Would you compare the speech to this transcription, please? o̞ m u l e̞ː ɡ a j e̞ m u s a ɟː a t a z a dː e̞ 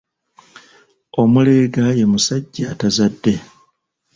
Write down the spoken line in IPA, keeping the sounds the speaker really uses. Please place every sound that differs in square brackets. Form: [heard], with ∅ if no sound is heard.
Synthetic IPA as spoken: o̞ m u l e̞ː ɡ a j e̞ m u s a ɟː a t a z a dː e̞

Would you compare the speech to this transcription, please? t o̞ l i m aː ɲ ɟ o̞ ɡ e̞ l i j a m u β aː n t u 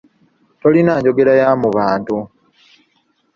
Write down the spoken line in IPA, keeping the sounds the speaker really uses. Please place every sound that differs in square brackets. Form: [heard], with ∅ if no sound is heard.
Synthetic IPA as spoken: t o̞ l i [n] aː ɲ ɟ o̞ ɡ e̞ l [a] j a m u β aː n t u

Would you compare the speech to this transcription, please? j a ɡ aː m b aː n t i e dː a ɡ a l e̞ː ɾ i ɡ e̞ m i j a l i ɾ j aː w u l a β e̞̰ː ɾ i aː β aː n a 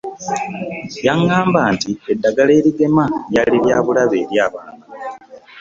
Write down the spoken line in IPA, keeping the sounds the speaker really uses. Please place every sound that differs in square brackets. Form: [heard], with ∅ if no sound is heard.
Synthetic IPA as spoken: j a [ŋ] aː m b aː n t i e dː a ɡ a l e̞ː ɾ i ɡ e̞ m [a] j a l i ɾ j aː [β] u l a β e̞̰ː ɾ [j] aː β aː n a

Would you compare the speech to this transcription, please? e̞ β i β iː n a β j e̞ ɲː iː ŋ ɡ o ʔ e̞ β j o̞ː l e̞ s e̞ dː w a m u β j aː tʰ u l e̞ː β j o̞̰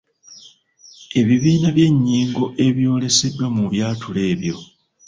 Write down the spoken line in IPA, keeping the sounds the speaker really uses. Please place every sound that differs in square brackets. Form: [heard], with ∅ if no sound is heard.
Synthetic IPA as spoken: e̞ β i β iː n a β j e̞ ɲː iː ŋ ɡ o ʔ e̞ β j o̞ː l e̞ s e̞ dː w a m u β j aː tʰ u l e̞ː β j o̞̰

